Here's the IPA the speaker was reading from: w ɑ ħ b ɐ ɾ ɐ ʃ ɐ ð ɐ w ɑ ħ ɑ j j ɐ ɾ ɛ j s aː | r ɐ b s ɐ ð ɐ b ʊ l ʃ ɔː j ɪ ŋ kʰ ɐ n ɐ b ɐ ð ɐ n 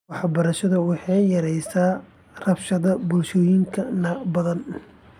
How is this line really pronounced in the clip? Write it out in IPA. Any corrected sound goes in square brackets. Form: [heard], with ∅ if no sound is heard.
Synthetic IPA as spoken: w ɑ ħ b ɐ ɾ ɐ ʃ ɐ ð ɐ w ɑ ħ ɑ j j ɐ ɾ ɛ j s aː | r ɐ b [ʃ] ɐ ð ɐ b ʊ l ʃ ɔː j ɪ ŋ kʰ ɐ n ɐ b ɐ ð ɐ n